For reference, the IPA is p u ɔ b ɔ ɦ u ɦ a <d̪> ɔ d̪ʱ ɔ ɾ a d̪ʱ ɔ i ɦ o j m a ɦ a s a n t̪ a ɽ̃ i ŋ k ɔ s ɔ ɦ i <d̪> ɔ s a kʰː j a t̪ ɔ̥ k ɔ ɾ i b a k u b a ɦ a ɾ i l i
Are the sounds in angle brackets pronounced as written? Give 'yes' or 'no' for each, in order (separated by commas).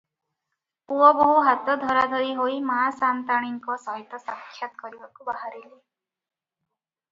no, no